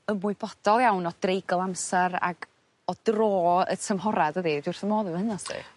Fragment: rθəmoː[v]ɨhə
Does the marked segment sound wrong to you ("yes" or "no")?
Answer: yes